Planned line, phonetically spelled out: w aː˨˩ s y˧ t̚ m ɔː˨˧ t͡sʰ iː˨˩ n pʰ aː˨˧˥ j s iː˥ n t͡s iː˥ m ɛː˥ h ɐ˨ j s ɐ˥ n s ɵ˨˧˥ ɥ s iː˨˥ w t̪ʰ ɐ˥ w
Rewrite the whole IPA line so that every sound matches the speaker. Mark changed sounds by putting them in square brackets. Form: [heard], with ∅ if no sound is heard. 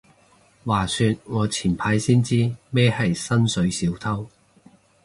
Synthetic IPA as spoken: w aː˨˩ s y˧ t̚ [ŋ] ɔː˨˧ t͡sʰ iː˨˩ n pʰ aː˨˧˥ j s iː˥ n t͡s iː˥ m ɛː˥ h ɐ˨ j s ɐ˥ n s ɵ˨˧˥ ɥ s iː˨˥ w t̪ʰ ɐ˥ w